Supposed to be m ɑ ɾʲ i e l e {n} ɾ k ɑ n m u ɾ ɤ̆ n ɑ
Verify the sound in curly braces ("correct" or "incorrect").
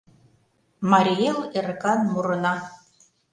incorrect